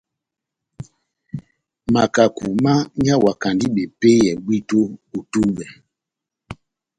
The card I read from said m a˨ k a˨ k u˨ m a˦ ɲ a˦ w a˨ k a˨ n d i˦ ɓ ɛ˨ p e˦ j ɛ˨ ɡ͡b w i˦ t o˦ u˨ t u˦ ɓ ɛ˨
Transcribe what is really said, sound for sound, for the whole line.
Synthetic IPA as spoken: m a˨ k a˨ k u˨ m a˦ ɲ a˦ w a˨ k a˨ n d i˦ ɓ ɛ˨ p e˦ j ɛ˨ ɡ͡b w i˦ t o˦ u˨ t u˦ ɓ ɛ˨

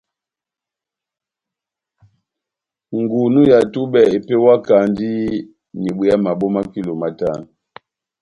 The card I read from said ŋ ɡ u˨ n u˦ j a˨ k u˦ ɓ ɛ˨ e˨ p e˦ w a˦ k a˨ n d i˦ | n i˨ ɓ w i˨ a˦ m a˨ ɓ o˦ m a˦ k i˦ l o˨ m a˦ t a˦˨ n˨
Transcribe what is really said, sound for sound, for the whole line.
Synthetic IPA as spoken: ŋ ɡ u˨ n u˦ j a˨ t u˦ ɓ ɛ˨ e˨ p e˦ w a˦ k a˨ n d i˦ | n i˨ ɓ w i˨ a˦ m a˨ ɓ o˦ m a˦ k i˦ l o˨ m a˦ t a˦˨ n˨

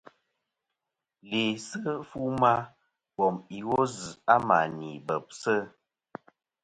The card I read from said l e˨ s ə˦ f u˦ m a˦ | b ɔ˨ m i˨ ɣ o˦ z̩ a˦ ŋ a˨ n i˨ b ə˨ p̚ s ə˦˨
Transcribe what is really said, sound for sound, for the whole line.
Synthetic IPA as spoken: l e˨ s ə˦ f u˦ m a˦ | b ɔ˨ m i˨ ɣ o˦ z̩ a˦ m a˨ n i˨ b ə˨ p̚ s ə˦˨

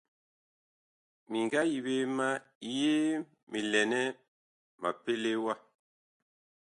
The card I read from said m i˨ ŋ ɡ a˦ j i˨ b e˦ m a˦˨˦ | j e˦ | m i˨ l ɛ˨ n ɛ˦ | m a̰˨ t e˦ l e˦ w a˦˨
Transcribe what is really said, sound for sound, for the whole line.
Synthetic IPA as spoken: m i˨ ŋ ɡ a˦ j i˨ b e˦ m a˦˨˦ | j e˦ | m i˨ l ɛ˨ n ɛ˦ | m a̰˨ p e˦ l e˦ w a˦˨

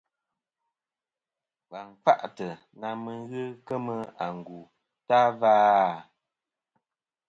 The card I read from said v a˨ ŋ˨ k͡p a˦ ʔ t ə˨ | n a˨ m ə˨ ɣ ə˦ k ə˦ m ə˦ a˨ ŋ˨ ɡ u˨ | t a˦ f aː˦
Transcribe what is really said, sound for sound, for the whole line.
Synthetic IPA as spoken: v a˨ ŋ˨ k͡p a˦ ʔ t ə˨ | n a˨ m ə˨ ɣ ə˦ k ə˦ m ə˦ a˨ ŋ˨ ɡ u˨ | t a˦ v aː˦

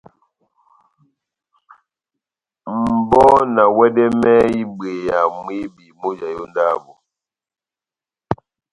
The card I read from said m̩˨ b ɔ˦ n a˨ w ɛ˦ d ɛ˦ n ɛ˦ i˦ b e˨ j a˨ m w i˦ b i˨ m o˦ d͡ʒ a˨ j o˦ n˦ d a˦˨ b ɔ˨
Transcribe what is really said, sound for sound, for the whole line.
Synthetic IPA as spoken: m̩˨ b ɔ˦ n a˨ w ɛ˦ d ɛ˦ m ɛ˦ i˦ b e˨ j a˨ m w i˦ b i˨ m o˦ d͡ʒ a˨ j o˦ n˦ d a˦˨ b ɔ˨

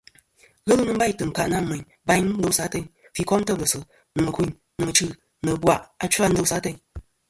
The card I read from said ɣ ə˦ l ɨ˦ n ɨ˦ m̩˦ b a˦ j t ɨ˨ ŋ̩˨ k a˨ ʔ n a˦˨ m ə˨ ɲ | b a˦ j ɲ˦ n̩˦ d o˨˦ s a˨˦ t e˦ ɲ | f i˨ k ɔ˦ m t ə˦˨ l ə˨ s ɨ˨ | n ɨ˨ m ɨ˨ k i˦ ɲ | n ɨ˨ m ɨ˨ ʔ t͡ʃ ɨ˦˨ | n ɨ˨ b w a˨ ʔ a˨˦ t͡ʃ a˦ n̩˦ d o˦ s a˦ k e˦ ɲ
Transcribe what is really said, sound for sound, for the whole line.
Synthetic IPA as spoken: ɣ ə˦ l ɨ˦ n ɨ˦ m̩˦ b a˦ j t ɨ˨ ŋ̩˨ k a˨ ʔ n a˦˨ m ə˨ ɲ | b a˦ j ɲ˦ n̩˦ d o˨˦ s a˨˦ t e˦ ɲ | f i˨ k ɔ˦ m t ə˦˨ l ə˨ s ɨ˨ | n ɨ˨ m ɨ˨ k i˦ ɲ | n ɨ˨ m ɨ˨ t͡ʃ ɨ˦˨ | n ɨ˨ b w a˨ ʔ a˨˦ t͡ʃ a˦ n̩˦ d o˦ s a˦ t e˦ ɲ

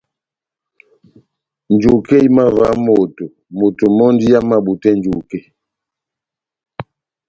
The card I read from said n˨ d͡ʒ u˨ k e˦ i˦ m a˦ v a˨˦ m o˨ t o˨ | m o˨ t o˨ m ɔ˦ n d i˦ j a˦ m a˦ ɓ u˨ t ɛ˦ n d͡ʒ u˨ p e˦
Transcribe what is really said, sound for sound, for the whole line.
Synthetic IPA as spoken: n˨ d͡ʒ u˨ k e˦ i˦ m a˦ v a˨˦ m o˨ t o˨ | m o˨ t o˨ m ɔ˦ n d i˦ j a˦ m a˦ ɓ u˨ t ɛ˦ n d͡ʒ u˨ k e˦

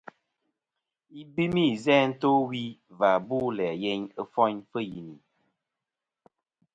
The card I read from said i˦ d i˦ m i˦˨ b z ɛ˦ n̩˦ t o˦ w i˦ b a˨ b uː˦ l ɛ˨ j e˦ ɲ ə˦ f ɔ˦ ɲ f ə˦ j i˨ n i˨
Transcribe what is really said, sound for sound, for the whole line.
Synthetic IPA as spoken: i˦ b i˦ m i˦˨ z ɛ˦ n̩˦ t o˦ w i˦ v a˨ b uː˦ l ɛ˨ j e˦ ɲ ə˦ f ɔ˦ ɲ f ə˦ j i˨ n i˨

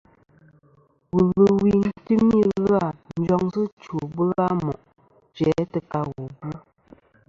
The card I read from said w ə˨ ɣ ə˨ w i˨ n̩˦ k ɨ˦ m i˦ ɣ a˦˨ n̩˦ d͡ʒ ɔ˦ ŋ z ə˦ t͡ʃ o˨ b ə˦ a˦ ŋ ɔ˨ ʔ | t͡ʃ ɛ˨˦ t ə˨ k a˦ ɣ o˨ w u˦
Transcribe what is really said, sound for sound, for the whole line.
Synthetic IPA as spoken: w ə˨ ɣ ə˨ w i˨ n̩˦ t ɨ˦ m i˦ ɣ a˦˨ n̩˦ d͡ʒ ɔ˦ ŋ z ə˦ t͡ʃ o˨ b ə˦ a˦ m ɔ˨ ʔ | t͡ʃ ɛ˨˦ t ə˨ k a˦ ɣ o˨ b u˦

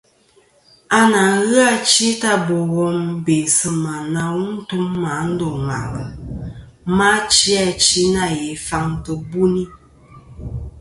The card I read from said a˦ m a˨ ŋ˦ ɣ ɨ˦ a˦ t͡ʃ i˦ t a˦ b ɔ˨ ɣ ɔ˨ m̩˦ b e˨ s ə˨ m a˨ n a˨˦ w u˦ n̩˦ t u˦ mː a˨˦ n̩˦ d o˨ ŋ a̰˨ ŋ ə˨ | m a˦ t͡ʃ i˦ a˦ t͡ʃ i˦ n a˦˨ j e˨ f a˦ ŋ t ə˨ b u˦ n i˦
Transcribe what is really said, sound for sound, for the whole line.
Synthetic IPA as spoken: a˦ n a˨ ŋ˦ ɣ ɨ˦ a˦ t͡ʃ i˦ t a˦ b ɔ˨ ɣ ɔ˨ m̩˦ b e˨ s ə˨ m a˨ n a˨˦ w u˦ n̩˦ t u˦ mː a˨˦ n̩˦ d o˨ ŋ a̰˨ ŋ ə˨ | m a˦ t͡ʃ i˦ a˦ t͡ʃ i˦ n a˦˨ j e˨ f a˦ ŋ t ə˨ b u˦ n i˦

